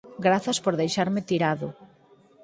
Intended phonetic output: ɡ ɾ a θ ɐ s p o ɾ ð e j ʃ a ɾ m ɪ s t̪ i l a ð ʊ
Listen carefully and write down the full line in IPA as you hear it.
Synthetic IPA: ɡ ɾ a θ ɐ s p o ɾ ð e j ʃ a ɾ m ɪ t̪ i ɾ a ð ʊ